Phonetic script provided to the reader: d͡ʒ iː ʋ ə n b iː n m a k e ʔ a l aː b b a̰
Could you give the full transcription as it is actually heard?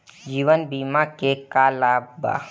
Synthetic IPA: d͡ʒ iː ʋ ə n b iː m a k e k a l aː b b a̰